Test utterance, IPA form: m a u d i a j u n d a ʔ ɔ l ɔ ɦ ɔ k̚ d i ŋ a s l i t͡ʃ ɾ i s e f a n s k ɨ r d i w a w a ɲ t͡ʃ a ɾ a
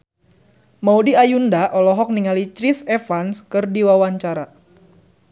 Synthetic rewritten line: m a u d i a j u n d a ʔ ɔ l ɔ ɦ ɔ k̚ n i ŋ a l i t͡ʃ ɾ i s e f a n s k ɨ r d i w a w a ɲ t͡ʃ a ɾ a